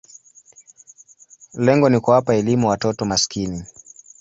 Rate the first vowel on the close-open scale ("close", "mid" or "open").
mid